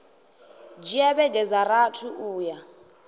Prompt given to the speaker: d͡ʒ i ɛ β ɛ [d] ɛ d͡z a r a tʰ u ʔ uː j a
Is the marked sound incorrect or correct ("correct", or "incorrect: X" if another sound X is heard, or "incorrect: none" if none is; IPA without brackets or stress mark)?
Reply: incorrect: ɡ